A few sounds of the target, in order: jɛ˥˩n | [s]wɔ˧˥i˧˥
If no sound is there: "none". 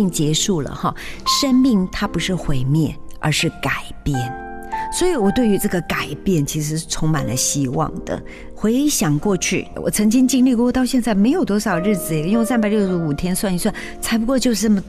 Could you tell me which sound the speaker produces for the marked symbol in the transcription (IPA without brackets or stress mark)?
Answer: s